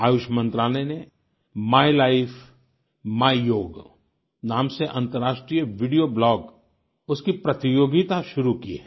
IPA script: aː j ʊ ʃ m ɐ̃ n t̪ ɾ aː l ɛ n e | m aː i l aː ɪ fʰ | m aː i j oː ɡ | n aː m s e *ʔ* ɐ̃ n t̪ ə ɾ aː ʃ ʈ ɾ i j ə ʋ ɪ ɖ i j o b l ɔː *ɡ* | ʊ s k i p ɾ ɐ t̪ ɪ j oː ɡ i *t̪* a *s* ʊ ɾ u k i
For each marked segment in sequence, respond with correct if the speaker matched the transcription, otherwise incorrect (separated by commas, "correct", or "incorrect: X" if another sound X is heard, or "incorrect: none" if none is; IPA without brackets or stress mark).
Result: correct, correct, correct, incorrect: ʃ